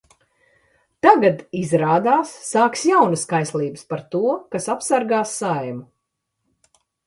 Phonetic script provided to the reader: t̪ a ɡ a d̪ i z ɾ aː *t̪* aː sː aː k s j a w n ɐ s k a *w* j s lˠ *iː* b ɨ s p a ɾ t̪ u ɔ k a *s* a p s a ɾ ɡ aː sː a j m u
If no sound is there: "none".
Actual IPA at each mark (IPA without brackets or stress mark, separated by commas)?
d̪, none, iː, s